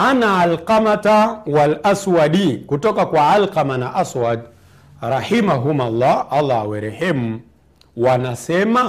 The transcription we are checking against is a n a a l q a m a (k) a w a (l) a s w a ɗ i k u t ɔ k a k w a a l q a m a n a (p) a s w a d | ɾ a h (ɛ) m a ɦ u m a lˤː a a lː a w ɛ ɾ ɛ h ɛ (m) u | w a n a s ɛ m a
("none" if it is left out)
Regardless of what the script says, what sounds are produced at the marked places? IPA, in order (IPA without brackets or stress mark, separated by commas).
t, l, ʔ, i, m